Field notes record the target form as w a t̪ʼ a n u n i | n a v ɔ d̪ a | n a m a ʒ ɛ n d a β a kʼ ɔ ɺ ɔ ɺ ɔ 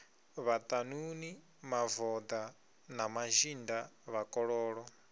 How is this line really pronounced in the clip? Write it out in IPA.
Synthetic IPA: β a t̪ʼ a n u n i | m a v ɔ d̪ a | n a m a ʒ i n d a β a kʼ ɔ ɺ ɔː ɺ ɔ

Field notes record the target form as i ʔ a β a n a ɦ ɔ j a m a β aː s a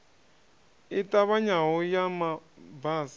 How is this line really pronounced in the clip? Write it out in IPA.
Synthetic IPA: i t a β a ɲ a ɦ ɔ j a m a b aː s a

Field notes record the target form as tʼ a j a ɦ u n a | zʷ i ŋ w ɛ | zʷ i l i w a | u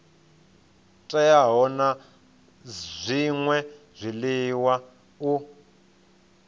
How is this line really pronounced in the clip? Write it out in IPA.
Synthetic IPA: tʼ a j a ɦ ɔ n a | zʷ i ŋ w ɛ | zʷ i l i w a | u

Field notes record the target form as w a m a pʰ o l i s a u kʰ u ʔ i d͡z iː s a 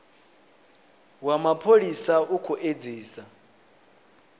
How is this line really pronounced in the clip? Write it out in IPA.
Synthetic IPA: w a m a pʰ o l i s a u kʰ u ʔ e d͡z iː s a

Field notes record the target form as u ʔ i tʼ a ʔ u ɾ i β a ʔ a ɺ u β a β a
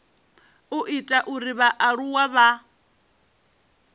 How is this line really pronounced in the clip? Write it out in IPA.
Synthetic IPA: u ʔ i tʼ a ʔ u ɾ i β a ʔ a ɺ u w a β a

